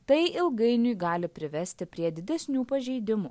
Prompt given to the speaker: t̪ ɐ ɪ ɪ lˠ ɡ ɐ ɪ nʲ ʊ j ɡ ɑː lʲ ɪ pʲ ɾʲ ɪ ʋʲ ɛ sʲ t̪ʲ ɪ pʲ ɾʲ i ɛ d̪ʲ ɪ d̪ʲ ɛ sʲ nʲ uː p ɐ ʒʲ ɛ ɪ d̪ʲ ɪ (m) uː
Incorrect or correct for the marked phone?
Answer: correct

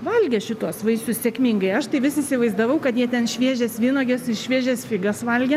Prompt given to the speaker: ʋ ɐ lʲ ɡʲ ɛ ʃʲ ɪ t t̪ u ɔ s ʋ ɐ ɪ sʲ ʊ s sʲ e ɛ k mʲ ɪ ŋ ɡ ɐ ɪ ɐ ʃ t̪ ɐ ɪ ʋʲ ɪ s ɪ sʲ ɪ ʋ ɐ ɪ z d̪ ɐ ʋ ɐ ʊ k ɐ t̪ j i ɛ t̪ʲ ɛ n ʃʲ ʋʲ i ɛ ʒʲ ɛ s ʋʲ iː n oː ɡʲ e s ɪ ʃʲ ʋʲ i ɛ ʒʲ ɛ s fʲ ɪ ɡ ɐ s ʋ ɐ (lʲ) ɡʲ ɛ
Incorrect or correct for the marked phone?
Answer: correct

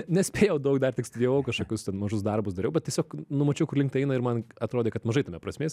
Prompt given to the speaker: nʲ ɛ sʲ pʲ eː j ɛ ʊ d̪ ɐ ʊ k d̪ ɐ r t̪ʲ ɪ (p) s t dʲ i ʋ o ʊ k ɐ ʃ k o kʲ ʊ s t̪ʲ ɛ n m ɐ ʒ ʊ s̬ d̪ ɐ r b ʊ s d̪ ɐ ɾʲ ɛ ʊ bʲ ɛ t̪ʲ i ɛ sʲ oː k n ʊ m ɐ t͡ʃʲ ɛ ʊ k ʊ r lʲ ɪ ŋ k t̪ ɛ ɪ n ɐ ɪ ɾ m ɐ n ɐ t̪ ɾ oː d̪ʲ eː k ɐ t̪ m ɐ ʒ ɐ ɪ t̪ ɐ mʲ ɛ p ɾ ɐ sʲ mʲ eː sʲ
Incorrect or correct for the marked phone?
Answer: incorrect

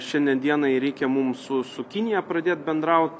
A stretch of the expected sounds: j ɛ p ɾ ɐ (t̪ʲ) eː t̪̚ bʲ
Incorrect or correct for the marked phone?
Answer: incorrect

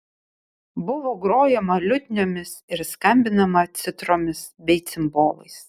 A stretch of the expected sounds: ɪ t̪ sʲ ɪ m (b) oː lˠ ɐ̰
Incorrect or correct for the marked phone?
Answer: correct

